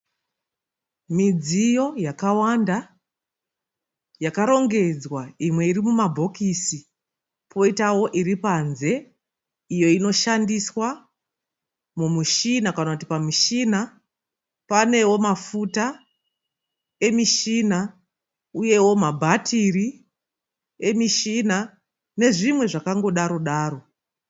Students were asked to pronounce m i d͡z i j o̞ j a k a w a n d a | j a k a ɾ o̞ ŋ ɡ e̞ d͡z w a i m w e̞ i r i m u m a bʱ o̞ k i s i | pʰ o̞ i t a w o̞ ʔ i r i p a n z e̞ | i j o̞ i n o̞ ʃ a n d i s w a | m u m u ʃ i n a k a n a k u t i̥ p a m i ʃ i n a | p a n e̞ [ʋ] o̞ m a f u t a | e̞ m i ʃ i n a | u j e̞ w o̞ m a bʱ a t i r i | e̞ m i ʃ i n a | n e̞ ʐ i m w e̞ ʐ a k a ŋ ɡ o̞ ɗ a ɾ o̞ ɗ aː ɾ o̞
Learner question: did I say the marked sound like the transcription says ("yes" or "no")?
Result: no